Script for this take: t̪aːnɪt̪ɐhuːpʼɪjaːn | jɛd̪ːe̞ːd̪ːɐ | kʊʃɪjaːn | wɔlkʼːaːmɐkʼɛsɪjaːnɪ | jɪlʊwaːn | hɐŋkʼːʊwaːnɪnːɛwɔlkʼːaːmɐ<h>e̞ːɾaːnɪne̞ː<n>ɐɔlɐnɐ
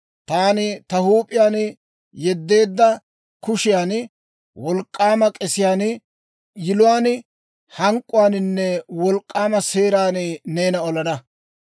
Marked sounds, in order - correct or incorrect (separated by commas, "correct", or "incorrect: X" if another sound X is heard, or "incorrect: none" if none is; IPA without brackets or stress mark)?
incorrect: s, correct